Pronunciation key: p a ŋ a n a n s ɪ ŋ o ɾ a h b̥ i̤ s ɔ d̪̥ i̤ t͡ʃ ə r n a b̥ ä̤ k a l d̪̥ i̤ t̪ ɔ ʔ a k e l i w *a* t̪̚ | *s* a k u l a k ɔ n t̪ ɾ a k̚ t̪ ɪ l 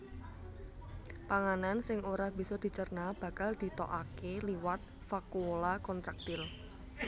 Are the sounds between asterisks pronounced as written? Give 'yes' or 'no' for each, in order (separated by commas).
yes, no